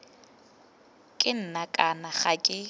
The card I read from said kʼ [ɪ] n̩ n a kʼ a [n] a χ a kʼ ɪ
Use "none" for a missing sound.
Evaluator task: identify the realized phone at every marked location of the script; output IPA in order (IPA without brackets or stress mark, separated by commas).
ɪ, n